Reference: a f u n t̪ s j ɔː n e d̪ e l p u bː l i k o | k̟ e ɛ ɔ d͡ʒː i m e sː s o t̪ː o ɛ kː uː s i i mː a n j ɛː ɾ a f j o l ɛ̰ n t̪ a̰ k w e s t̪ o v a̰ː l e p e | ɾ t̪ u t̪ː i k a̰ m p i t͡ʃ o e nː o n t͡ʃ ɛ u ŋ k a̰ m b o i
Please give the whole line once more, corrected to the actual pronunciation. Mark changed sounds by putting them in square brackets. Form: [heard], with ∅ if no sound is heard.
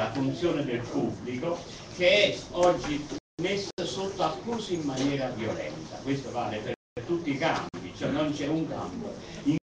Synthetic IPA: a f u n t̪ s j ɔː n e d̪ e l p u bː l i k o | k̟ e ɛ ɔ d͡ʒː i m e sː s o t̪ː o [a] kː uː s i i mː a n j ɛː ɾ a [v] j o l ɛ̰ n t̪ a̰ k w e s t̪ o v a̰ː l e p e | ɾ t̪ u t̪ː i k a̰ m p i t͡ʃ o [ɛ] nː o n t͡ʃ ɛ u ŋ k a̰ m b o i